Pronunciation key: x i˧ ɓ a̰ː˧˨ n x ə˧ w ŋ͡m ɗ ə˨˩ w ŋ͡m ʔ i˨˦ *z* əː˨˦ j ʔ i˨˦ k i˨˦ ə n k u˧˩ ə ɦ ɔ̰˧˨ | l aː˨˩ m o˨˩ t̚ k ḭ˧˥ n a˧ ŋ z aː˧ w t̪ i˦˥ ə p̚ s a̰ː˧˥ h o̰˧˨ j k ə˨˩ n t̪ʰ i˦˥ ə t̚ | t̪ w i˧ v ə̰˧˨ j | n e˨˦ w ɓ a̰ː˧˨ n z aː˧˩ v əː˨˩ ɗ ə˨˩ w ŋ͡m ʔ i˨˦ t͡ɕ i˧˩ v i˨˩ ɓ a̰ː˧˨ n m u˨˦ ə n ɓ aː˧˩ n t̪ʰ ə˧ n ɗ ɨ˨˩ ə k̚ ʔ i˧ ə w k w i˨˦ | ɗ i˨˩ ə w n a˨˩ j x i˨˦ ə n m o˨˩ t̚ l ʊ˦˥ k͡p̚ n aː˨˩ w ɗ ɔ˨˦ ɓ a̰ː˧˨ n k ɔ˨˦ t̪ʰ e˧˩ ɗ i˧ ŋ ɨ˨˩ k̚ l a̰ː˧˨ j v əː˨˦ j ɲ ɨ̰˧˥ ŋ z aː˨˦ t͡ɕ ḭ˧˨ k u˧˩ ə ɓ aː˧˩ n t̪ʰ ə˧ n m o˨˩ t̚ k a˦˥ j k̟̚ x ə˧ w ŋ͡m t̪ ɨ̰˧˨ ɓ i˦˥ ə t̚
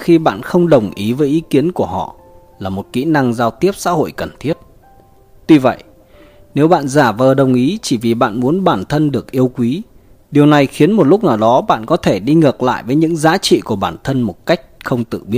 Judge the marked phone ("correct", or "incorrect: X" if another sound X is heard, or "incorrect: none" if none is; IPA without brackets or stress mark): incorrect: v